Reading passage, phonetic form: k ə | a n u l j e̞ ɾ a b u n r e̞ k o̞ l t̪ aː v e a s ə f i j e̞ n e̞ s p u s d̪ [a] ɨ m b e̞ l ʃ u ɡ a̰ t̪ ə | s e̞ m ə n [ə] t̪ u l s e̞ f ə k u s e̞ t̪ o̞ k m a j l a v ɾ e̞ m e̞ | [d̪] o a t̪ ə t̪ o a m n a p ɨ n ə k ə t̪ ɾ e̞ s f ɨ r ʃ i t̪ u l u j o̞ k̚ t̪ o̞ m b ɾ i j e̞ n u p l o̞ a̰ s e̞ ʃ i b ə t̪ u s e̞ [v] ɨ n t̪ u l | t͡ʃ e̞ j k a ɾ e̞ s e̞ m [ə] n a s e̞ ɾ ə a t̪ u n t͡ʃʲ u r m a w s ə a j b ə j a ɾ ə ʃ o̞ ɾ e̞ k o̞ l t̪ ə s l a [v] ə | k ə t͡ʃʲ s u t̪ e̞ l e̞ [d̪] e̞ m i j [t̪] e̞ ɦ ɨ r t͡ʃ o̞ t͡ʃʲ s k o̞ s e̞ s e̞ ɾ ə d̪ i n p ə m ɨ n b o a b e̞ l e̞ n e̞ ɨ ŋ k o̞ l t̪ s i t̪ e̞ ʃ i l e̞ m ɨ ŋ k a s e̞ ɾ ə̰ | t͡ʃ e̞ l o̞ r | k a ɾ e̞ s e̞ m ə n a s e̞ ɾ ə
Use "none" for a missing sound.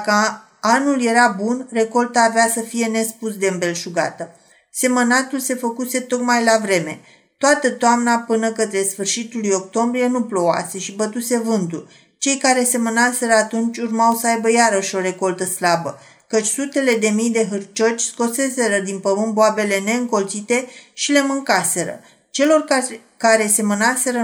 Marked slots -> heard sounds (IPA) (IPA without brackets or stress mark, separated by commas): e, a, t̪, v, ə, b, d̪, d̪